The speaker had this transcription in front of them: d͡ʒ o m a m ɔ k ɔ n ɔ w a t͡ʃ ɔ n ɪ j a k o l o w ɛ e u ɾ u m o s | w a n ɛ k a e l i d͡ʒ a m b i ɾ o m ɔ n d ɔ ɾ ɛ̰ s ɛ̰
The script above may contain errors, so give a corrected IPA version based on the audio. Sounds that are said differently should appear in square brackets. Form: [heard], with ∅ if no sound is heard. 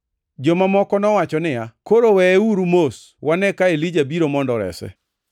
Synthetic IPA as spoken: d͡ʒ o m a m ɔ k ɔ n ɔ w a t͡ʃ ɔ n ɪ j a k o [ɾ] o w ɛ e u ɾ u m o s | w a n ɛ k a e l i d͡ʒ a [∅] b i ɾ o m ɔ n d ɔ ɾ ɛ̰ s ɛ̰